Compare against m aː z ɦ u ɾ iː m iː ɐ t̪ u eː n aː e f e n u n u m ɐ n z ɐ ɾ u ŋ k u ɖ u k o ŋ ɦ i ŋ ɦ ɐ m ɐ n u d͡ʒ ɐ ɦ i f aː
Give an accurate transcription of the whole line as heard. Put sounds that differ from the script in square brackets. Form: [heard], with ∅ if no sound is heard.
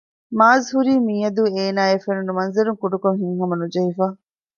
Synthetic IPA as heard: m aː z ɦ u ɾ iː m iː ɐ [d̪] u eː n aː e f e n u n u m ɐ n z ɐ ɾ u ŋ k u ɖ u k o ŋ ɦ i ŋ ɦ ɐ m ɐ n u d͡ʒ ɐ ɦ i f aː